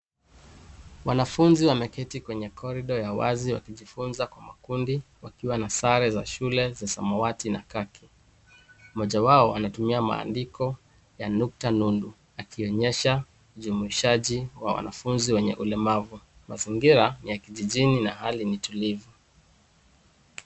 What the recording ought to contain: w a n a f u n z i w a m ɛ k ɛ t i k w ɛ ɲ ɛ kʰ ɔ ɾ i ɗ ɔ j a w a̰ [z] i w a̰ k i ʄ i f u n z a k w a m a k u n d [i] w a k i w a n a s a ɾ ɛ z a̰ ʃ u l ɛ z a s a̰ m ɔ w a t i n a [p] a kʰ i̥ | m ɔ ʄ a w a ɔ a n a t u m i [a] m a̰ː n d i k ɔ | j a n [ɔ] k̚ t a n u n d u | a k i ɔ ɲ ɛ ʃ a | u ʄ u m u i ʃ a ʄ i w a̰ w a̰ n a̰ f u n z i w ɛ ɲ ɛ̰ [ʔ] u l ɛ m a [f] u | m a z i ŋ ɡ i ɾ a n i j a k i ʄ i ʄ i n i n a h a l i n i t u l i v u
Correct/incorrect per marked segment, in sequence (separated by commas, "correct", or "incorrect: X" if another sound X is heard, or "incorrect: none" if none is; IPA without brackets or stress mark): correct, correct, incorrect: k, correct, incorrect: u, correct, incorrect: v